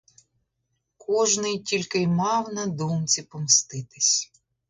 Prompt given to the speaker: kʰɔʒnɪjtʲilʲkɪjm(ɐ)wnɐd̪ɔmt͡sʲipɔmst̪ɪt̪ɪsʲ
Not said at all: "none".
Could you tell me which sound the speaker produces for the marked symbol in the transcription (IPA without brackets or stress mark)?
ɑ